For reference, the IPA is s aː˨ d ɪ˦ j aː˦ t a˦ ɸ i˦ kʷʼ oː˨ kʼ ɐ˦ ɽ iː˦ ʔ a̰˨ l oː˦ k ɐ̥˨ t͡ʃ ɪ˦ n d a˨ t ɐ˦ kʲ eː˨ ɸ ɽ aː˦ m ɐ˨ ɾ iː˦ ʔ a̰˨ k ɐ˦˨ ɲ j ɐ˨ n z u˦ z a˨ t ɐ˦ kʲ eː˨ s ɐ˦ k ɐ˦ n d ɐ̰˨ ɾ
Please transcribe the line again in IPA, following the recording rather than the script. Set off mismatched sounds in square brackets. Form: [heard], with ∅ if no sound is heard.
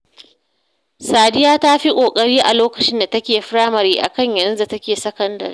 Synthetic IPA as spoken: s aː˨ d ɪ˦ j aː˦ t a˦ ɸ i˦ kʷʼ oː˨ kʼ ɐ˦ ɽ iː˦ ʔ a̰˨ l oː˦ k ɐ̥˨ t͡ʃ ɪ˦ n d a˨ t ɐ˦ kʲ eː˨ ɸ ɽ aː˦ m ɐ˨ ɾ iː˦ ʔ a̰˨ k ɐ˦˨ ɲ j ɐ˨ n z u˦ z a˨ t ɐ˦ kʲ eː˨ s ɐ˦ k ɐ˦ n d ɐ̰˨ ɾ

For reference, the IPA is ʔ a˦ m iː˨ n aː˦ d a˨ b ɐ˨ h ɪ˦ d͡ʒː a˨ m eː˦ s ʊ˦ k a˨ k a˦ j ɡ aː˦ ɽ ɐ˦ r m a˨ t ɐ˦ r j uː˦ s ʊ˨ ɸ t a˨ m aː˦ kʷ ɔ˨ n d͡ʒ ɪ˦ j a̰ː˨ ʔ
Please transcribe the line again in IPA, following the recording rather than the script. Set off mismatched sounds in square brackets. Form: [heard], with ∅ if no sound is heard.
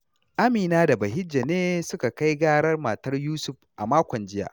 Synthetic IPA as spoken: ʔ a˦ m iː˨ n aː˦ d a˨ b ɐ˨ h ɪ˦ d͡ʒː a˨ [n] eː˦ s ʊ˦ k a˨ k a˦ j ɡ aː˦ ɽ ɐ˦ r m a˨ t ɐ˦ r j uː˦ s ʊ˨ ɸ [ʔ] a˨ m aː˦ kʷ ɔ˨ n d͡ʒ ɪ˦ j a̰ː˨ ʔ

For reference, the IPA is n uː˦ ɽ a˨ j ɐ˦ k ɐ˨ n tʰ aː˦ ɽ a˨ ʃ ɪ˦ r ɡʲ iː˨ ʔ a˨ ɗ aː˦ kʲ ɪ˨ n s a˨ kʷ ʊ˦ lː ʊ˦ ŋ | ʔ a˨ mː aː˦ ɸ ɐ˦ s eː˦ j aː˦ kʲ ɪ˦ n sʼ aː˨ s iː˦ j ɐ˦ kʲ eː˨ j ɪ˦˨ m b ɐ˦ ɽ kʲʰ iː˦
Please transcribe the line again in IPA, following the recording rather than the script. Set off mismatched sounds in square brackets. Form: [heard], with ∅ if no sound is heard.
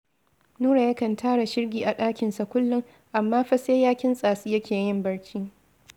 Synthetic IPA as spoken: n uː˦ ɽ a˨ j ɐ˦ k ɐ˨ n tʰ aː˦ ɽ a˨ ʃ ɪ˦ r ɡʲ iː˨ ʔ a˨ ɗ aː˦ kʲ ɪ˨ n s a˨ kʷ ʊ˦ lː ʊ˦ ŋ | ʔ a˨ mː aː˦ ɸ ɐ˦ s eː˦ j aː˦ kʲ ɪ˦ n sʼ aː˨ s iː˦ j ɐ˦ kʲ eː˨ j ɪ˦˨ m b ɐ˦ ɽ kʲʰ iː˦

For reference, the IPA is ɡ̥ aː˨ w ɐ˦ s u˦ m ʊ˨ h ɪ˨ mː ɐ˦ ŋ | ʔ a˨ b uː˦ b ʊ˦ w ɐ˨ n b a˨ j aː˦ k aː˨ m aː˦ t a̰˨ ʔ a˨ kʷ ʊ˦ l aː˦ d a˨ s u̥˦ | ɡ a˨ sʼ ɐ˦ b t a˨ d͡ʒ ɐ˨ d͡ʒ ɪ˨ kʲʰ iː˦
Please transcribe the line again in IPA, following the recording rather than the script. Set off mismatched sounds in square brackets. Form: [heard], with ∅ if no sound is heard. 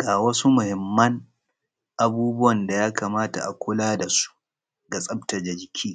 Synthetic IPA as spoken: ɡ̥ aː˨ w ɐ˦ s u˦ m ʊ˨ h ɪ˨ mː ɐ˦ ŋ | ʔ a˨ b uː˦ b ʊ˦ w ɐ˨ n [d] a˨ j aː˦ k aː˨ m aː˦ t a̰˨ ʔ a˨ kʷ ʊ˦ l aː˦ d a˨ s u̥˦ | ɡ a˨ sʼ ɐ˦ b t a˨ d͡ʒ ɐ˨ d͡ʒ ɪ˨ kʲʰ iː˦

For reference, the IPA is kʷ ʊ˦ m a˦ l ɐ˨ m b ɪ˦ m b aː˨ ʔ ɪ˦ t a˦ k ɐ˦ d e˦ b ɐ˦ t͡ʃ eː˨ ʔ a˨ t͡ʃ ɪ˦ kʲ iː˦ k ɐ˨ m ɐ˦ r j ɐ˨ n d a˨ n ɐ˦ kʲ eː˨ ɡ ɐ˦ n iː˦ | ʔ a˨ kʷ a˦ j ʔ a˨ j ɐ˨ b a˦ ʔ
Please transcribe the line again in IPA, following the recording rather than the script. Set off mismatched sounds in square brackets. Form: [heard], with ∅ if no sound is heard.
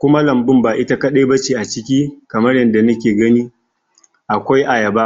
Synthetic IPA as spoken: kʷ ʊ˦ m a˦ l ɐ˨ m b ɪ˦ m b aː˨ ʔ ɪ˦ t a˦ k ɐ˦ [ɗ] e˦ b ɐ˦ t͡ʃ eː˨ ʔ a˨ t͡ʃ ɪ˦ kʲ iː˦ k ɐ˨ m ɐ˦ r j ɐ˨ n d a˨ n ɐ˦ kʲ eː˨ ɡ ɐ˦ n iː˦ | ʔ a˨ kʷ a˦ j ʔ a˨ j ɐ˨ b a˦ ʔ

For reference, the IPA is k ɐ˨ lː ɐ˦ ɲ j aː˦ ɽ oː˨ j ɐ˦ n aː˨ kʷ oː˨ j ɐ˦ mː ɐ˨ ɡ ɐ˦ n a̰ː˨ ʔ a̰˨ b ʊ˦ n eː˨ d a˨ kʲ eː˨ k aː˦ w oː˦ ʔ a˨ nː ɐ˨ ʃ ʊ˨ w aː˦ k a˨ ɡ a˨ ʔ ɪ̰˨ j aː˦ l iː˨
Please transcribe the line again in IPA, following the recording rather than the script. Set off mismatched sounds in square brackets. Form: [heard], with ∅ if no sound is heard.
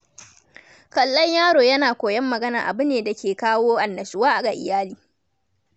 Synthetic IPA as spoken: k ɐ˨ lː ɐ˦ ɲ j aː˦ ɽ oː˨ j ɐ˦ n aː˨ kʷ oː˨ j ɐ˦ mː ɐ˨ ɡ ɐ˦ n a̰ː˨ ʔ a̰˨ b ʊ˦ n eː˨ d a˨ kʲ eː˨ k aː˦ w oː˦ ʔ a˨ nː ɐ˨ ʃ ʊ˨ w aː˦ [ʔ] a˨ ɡ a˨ ʔ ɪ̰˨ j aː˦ l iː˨

